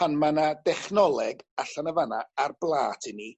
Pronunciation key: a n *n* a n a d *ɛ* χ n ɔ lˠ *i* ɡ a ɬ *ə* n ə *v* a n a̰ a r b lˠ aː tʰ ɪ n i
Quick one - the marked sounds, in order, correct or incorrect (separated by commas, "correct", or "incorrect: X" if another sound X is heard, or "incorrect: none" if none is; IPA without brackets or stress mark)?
incorrect: m, correct, incorrect: ɛ, incorrect: a, correct